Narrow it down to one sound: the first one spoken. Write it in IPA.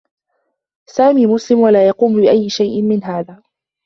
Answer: s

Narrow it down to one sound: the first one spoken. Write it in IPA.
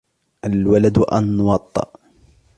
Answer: ʔ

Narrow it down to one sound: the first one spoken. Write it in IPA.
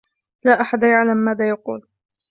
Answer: l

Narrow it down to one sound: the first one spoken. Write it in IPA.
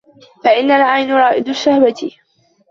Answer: f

